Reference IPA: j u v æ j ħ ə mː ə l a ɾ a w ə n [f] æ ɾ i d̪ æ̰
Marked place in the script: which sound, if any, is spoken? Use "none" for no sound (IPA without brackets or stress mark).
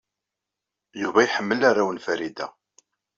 f